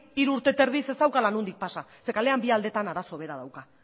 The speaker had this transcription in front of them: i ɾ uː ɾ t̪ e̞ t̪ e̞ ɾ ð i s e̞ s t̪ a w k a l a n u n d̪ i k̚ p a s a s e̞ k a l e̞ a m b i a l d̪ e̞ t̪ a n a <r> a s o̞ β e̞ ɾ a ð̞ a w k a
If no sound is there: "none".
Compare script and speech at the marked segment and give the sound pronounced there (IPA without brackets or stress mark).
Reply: ɾ